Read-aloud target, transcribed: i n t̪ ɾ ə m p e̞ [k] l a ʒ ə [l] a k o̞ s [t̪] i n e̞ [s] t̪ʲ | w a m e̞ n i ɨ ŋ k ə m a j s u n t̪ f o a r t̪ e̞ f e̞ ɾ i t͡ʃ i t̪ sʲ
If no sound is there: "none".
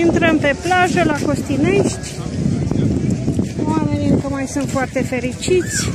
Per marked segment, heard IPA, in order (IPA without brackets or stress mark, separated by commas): p, l, t̪, ʃ